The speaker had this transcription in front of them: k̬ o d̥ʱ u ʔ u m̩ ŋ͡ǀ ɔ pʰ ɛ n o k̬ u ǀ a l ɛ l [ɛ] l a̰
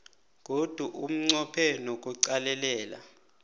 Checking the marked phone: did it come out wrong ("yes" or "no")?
yes